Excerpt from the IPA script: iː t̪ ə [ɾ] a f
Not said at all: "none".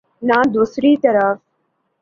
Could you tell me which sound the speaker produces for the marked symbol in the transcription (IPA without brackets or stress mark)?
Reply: ɾ